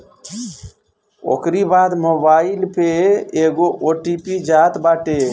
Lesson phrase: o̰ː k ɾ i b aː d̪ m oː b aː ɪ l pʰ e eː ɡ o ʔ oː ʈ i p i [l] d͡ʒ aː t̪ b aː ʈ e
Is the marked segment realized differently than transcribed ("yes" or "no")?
yes